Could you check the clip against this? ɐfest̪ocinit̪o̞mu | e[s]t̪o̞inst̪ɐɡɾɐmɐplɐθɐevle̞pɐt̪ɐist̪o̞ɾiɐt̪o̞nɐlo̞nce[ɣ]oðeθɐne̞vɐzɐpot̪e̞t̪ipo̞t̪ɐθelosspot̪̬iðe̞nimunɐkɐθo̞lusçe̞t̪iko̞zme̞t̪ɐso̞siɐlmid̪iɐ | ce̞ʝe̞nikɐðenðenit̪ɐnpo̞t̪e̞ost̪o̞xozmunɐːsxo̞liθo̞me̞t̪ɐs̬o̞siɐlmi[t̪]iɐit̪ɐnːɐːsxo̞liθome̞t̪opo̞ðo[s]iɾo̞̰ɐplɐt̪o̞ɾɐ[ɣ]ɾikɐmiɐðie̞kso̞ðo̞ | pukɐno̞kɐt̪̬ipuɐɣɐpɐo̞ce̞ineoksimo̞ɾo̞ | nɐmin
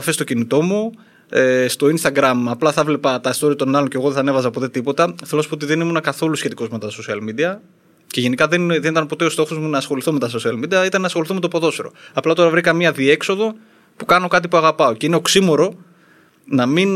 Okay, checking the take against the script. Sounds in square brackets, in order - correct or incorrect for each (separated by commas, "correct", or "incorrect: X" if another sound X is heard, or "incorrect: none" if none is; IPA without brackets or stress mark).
correct, correct, incorrect: d̪, correct, incorrect: v